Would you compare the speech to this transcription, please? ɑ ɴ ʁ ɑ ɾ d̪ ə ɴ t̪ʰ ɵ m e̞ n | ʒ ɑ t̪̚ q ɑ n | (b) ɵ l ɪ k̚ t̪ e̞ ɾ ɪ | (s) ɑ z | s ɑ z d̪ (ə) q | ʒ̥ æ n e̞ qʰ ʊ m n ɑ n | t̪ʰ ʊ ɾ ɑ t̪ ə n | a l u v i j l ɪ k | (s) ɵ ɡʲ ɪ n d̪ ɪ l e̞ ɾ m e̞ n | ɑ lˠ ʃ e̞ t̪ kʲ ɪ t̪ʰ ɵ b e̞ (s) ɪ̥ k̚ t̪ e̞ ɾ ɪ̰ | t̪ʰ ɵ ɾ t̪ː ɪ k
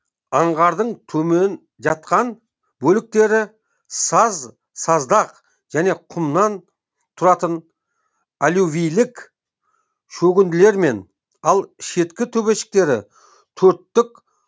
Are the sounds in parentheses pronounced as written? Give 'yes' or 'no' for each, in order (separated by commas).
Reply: yes, yes, no, no, no